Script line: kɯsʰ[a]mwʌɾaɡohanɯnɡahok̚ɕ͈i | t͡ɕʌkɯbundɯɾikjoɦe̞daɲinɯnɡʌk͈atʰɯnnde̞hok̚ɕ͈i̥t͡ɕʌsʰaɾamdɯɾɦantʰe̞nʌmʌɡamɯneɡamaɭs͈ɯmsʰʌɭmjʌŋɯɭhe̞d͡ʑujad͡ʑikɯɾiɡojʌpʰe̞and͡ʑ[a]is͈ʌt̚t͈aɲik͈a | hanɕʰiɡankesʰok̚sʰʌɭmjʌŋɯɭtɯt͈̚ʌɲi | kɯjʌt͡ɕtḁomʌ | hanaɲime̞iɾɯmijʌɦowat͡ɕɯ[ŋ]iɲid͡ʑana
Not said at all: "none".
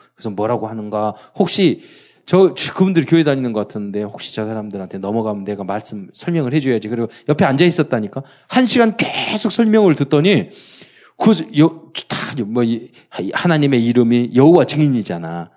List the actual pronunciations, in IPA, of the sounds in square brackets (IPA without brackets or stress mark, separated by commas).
ʌ, a, ŋ